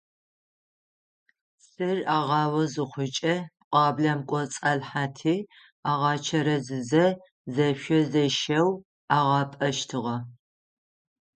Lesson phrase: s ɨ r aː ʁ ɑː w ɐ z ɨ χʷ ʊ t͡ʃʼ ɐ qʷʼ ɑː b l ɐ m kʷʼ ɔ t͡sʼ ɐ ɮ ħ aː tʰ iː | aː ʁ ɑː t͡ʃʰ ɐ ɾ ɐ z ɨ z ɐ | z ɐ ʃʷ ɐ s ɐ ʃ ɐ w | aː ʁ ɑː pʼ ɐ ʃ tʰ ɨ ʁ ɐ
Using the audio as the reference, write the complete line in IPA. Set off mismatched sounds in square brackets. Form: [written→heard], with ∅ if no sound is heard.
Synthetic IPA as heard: s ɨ r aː ʁ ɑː w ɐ z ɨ χʷ ʊ t͡ʃʼ ɐ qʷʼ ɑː b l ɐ m kʷʼ ɔ t͡sʼ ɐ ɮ ħ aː tʰ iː | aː ʁ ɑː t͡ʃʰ ɐ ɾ ɐ z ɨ z ɐ | z ɐ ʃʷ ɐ [s→z] ɐ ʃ ɐ w | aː ʁ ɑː pʼ ɐ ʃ tʰ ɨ ʁ ɐ